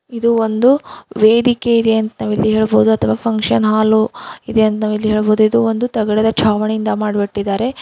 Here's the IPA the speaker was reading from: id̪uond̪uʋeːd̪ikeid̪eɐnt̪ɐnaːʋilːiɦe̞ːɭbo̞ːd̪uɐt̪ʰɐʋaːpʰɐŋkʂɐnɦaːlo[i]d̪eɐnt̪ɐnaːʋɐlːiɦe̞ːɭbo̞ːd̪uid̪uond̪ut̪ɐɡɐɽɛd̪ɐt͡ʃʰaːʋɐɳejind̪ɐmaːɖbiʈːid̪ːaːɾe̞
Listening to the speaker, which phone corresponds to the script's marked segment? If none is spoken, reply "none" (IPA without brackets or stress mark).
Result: i